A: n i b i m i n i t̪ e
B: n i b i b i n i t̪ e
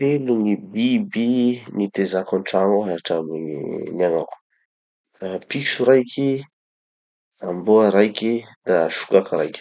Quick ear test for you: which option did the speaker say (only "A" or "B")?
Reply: B